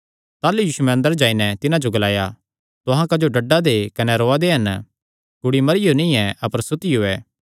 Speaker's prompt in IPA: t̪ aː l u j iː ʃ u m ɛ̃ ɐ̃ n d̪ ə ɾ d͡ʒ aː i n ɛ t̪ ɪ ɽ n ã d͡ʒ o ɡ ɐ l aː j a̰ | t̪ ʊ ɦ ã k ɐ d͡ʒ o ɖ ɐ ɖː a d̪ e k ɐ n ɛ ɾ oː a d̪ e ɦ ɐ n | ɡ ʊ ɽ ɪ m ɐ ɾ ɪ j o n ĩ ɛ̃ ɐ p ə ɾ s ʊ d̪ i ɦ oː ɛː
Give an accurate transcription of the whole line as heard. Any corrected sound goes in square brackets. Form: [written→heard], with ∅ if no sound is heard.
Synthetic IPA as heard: t̪ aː l u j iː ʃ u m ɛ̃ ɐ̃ n d̪ ə ɾ d͡ʒ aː i n ɛ t̪ ɪ [ɽ→∅] n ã d͡ʒ o ɡ ɐ l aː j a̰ | t̪ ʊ ɦ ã k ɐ d͡ʒ o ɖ ɐ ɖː a d̪ e k ɐ n ɛ ɾ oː a d̪ e ɦ ɐ n | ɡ ʊ ɽ [ɪ→i] m ɐ ɾ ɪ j o n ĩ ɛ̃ ɐ p ə ɾ s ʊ [d̪→t̪] i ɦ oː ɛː